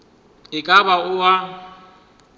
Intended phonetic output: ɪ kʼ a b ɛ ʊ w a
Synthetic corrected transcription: ɪ kʼ a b a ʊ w a